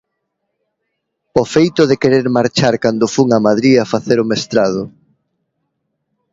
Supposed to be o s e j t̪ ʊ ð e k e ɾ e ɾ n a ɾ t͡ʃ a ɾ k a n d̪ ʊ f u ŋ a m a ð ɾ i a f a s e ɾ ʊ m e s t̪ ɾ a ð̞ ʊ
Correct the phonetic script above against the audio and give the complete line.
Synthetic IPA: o f e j t̪ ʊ ð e k e ɾ e ɾ m a ɾ t͡ʃ a ɾ k a n d̪ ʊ f u ŋ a m a ð ɾ i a f a θ e ɾ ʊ m e s t̪ ɾ a ð̞ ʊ